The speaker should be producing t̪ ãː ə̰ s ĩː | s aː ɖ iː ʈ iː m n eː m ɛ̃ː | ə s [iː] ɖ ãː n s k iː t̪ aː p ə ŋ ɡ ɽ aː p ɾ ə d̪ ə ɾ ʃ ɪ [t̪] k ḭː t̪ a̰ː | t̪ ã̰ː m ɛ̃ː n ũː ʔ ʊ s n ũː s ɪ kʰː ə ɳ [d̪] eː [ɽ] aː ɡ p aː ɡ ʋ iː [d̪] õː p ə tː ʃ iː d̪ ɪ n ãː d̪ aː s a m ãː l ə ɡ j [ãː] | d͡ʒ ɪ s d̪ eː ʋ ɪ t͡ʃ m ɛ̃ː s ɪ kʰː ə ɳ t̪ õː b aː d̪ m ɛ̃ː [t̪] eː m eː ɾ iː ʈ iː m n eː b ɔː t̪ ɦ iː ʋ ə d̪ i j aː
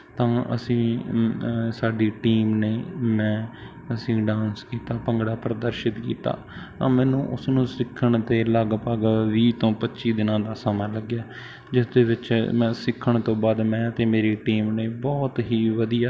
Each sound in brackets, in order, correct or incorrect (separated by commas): incorrect, correct, incorrect, incorrect, incorrect, incorrect, correct